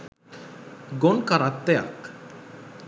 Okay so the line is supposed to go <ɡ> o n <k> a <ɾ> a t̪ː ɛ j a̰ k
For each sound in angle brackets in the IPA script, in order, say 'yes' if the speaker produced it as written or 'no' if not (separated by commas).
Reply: yes, yes, yes